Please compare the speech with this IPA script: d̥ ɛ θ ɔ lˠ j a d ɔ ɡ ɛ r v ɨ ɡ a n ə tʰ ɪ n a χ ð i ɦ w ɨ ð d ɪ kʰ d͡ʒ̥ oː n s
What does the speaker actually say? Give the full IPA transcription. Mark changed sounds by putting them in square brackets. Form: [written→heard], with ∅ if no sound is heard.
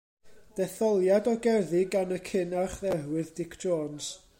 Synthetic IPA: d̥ ɛ θ ɔ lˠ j a d ɔ ɡ ɛ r [v→ð] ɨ ɡ a n ə [tʰ→kʰ] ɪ n a χ ð [i→ɛ] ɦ w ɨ ð d ɪ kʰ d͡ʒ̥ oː n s